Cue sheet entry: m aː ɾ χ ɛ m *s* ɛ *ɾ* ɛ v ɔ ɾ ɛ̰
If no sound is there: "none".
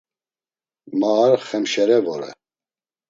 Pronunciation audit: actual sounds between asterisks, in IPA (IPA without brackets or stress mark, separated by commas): ʃ, ɾ